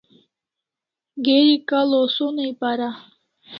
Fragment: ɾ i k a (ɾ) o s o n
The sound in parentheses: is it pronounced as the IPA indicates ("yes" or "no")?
no